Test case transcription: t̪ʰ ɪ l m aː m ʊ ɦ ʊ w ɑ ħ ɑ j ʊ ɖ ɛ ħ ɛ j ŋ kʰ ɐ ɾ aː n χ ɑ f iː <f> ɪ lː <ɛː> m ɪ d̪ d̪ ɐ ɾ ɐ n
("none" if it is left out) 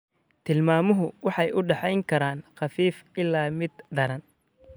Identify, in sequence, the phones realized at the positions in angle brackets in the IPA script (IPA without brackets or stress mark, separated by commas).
f, aː